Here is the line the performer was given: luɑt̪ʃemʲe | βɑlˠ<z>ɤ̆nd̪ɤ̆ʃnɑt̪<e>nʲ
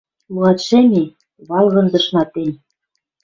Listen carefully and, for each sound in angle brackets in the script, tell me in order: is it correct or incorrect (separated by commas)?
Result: incorrect, correct